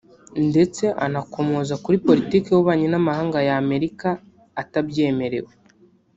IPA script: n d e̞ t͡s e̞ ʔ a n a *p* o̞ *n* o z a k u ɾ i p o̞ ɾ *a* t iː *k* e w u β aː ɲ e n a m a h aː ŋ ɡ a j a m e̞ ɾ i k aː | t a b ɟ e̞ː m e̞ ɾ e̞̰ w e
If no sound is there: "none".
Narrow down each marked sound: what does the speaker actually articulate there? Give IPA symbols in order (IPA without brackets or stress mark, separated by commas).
k, m, i, k